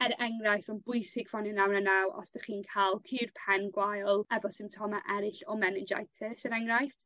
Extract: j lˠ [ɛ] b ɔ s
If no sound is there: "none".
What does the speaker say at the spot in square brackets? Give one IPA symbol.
ɛ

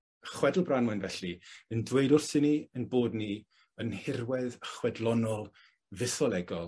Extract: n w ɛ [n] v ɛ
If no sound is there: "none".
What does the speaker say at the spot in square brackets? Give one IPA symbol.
n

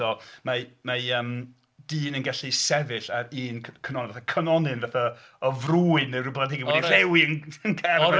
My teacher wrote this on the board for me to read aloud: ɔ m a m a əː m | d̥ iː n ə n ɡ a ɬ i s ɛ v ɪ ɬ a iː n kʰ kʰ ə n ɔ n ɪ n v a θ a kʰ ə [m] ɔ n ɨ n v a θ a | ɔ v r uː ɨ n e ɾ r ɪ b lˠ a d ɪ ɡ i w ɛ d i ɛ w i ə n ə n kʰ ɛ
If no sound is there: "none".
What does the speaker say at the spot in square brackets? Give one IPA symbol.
n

